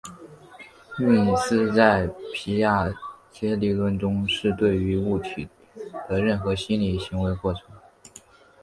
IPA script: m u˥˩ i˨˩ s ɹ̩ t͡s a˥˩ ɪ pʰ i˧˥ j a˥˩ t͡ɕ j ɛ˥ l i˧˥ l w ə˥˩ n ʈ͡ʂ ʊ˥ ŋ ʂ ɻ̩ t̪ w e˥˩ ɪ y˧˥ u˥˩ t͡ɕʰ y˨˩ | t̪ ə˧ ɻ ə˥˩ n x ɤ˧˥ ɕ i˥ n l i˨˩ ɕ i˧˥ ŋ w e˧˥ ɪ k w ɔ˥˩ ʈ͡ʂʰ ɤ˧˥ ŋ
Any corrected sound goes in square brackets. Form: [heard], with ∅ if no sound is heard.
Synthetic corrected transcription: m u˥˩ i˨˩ s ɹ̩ t͡s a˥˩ ɪ pʰ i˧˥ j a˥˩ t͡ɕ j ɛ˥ l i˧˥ l w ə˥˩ n ʈ͡ʂ ʊ˥ ŋ ʂ ɻ̩ t̪ w e˥˩ ɪ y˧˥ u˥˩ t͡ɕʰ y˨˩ | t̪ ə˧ ɻ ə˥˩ n x ɤ˧˥ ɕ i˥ n l i˨˩ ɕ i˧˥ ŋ w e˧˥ ɪ k w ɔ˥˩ ʈ͡ʂʰ ɤ˧˥ ŋ